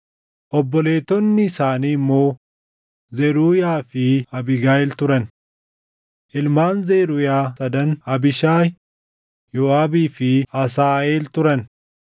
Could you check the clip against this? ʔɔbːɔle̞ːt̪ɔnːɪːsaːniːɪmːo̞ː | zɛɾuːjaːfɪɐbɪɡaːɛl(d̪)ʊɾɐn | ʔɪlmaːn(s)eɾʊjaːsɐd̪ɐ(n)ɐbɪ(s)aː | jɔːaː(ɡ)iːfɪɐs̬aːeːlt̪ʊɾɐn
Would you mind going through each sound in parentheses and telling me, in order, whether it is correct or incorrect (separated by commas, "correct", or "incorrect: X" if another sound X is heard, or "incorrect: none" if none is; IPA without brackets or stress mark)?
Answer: incorrect: t̪, incorrect: z, correct, incorrect: ʃ, incorrect: b